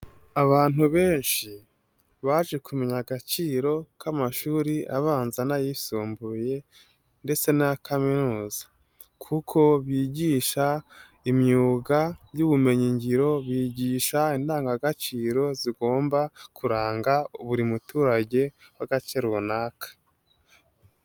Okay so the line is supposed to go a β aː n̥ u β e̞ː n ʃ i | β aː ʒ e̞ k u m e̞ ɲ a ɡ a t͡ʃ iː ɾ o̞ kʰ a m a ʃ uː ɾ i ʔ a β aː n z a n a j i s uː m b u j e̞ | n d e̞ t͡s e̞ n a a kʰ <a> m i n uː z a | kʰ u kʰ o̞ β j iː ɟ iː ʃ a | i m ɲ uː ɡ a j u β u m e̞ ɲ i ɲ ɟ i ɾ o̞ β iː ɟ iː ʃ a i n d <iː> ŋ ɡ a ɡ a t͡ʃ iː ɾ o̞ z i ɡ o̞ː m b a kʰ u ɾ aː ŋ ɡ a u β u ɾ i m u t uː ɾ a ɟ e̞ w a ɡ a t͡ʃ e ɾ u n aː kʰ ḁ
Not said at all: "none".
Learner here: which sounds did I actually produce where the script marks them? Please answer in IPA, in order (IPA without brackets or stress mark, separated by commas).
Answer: a, aː